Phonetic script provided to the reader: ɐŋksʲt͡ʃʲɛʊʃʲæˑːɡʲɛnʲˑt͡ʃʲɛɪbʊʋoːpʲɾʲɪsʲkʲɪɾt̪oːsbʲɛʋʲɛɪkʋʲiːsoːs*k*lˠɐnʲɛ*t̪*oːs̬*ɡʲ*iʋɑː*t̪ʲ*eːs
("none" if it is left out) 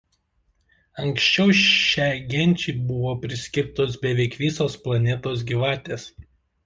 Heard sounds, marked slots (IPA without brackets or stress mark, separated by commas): p, t̪, ɡʲ, t̪ʲ